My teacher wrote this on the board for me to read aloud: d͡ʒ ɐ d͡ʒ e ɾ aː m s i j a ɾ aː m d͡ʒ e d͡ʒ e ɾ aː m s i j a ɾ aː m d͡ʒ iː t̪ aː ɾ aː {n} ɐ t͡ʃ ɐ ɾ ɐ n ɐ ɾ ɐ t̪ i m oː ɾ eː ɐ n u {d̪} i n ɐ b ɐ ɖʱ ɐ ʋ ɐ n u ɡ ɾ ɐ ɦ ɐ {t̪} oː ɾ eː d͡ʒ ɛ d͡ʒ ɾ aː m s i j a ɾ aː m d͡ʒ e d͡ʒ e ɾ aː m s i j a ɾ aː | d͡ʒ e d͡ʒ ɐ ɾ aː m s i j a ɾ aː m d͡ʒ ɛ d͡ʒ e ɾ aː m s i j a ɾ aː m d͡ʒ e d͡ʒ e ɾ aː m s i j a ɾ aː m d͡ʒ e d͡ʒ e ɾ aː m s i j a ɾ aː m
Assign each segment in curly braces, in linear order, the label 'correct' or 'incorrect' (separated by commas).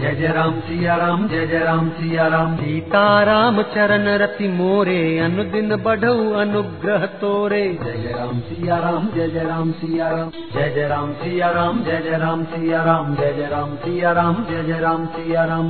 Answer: incorrect, correct, correct